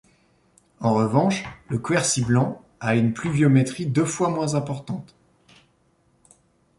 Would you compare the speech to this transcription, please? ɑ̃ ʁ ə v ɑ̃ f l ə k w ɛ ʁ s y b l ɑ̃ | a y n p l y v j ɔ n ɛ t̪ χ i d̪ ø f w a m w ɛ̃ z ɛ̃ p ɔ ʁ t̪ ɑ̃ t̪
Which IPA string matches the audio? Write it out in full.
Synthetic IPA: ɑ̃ ʁ ə v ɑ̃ ʃ l ə k w ɛ ʁ s i b l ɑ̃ | a y n p l y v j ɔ m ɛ t̪ χ i d̪ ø f w a m w ɛ̃ z ɛ̃ p ɔ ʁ t̪ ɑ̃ t̪